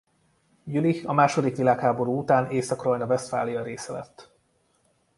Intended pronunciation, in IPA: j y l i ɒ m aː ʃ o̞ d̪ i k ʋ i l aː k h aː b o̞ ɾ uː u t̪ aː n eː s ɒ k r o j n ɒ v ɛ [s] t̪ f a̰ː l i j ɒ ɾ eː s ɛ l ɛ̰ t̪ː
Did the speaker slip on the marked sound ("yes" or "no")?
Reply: no